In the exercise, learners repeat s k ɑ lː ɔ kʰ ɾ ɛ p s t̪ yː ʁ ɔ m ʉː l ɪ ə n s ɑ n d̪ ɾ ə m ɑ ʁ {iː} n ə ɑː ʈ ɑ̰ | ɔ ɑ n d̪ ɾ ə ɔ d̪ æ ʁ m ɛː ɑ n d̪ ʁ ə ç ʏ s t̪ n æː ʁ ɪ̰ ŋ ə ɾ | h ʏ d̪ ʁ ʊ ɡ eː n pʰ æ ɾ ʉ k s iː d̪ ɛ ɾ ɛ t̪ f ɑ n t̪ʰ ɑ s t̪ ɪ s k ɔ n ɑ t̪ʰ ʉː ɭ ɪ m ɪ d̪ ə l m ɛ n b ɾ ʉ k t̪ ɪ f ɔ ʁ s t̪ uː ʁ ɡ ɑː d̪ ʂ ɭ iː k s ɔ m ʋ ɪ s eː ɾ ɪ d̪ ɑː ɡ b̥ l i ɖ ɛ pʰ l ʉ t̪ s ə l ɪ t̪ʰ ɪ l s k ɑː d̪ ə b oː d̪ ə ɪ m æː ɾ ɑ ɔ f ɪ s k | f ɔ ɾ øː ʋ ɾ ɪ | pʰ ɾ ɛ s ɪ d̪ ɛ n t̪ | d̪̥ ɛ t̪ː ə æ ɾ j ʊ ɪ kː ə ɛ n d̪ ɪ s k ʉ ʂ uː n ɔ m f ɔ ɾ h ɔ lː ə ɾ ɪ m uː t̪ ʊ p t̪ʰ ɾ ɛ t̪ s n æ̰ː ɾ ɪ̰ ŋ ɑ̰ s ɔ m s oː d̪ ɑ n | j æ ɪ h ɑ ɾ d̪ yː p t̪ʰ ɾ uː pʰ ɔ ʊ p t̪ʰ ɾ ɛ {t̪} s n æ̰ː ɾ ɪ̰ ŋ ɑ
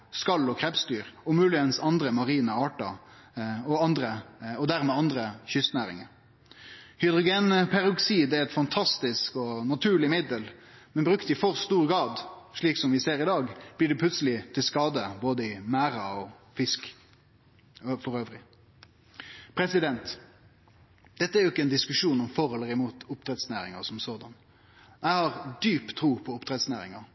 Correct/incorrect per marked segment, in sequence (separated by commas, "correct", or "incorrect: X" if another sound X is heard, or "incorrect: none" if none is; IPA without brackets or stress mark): correct, correct